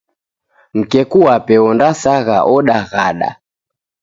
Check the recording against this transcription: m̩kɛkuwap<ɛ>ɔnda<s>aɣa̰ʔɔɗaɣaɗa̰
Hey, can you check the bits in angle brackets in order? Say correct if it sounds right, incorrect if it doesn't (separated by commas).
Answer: correct, correct